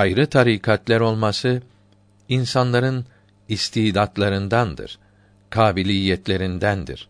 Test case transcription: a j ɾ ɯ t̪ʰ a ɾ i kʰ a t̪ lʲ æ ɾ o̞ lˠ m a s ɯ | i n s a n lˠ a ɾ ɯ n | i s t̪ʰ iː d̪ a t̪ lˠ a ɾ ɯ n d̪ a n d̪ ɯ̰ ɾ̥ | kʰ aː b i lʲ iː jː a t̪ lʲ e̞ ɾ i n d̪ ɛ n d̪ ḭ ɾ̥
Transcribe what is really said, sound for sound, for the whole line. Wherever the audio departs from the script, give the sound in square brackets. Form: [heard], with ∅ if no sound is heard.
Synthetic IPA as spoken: a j ɾ ɯ t̪ʰ a ɾ i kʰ a t̪ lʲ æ ɾ o̞ lˠ m a s ɯ | i n s a n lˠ a ɾ ɯ n | i s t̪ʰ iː d̪ a t̪ lˠ a ɾ ɯ n d̪ a n d̪ ɯ̰ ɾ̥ | kʰ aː b i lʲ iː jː [ɛ] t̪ lʲ e̞ ɾ i n d̪ [æ] n d̪ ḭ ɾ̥